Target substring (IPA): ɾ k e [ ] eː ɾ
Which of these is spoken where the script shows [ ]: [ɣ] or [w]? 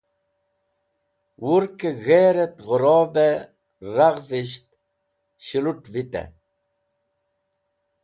ɣ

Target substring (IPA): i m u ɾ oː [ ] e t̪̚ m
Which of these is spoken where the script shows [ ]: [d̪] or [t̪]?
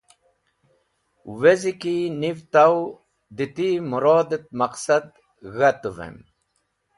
d̪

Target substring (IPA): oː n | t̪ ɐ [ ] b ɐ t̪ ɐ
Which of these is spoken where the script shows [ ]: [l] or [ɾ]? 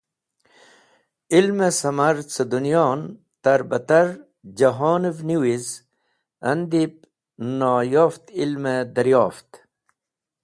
ɾ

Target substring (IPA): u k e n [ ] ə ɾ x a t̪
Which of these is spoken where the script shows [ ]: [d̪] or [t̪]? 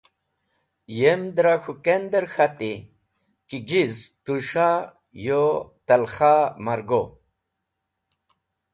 d̪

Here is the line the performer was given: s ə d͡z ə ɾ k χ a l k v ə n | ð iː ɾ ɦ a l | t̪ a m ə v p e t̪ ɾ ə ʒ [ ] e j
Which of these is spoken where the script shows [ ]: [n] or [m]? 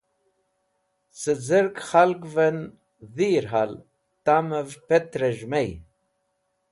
m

